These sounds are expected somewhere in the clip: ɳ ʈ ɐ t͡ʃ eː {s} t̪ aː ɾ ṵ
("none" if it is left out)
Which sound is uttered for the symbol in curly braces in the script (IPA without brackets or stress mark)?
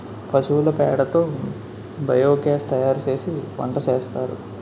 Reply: s